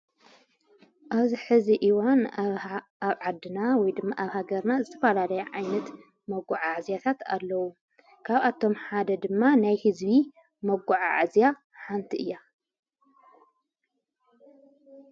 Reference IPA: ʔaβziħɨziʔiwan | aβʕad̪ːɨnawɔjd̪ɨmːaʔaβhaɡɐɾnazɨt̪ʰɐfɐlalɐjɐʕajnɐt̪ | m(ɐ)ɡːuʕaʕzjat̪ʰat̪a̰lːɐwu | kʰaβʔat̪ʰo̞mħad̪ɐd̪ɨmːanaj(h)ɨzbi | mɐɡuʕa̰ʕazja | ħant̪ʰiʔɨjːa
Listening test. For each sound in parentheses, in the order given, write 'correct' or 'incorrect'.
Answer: correct, correct

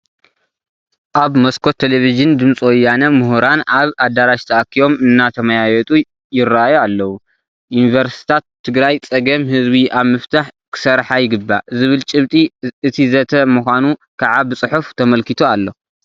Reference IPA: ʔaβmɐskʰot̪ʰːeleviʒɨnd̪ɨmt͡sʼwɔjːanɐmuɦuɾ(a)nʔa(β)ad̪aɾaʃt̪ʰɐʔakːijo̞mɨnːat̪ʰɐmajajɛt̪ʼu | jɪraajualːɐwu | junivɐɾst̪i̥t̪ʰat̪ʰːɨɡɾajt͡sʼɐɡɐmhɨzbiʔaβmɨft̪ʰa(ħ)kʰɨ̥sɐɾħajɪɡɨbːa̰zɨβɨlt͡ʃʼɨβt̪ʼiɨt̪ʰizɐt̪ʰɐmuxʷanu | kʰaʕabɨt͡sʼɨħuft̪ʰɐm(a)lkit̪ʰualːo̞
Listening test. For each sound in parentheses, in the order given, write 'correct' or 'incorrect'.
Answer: correct, correct, correct, incorrect

